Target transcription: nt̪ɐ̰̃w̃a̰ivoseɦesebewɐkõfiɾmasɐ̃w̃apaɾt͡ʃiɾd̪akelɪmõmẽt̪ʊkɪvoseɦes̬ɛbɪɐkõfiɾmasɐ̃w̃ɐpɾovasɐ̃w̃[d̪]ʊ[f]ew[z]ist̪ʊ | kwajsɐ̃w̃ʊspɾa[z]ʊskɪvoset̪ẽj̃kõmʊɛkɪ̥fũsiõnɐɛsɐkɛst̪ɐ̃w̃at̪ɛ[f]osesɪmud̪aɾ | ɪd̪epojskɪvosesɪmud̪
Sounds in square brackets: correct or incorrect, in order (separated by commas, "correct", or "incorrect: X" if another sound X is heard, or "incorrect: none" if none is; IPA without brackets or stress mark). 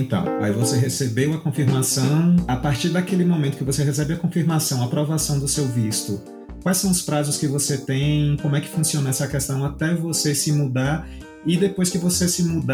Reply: correct, incorrect: s, incorrect: v, correct, incorrect: v